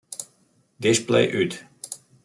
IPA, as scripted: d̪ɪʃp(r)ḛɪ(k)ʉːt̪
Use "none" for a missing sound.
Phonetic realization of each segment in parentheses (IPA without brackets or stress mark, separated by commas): l, ʔ